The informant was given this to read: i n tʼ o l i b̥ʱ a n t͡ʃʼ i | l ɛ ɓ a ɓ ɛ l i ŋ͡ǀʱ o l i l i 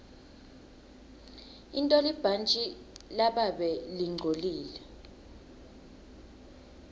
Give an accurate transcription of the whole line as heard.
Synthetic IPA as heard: i n tʼ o l i b̥ʱ a n t͡ʃʼ i | l a ɓ a ɓ ɛ l i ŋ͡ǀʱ o l iː l ɛ